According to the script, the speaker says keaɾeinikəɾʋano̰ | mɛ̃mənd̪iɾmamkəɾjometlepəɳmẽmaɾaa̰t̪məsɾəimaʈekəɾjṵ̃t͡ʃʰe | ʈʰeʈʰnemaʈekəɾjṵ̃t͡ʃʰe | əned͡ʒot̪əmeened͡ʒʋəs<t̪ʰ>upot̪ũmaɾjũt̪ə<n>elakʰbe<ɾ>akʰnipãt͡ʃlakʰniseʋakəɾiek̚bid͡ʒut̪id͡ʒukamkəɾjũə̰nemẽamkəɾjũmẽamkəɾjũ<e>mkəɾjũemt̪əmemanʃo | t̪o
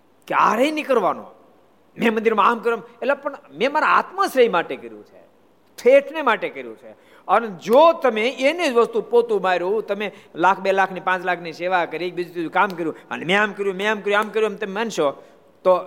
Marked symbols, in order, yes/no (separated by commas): no, no, no, no